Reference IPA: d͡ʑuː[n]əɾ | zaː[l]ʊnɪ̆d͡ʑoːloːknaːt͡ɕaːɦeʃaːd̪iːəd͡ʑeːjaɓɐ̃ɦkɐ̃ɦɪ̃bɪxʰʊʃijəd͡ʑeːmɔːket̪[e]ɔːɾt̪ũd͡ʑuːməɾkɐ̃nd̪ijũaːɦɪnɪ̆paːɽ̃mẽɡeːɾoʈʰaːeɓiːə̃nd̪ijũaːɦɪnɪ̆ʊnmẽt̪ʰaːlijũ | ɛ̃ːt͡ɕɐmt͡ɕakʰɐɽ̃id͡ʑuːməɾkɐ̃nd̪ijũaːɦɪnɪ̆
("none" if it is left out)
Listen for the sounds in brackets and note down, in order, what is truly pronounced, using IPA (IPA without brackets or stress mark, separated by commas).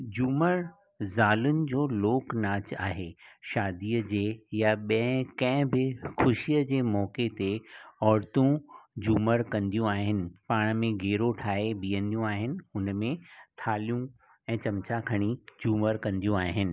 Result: m, l, e